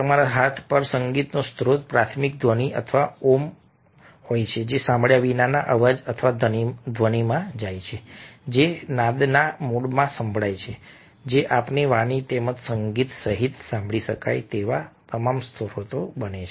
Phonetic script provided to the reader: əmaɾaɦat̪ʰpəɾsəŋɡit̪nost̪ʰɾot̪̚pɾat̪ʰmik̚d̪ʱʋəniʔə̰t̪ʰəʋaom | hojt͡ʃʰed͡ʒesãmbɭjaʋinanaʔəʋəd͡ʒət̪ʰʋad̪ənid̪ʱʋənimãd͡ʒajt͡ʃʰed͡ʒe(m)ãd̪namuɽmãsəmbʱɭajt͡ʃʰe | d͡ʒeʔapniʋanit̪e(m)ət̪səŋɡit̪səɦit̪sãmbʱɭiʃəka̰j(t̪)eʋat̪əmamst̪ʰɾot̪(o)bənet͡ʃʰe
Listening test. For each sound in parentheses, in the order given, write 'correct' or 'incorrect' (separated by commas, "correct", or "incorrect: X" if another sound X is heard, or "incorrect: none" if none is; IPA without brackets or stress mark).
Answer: incorrect: n, correct, correct, correct